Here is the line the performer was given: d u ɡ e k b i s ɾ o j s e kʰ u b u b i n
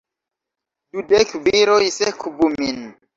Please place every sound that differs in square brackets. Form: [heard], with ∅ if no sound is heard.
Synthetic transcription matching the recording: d u [d] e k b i [∅] ɾ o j s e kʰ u b u [m] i n